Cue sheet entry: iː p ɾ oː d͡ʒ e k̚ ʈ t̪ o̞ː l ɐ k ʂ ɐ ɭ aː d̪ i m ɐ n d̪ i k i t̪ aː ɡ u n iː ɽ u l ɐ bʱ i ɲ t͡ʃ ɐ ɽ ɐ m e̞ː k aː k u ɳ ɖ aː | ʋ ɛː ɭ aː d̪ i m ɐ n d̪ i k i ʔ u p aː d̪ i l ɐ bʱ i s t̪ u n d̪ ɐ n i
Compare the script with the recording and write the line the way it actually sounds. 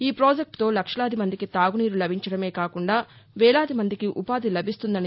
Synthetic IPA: iː p ɾ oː d͡ʒ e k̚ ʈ t̪ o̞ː l ɐ k ʂ ɐ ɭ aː d̪ i m ɐ n d̪ i k i t̪ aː ɡ u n iː ɾ u l ɐ bʱ i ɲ t͡ʃ ɐ ɽ ɐ m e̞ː k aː k u ɳ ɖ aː | ʋ ɛː ɭ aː d̪ i m ɐ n d̪ i k i ʔ u p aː d̪ i l ɐ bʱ i s t̪ u n d̪ ɐ n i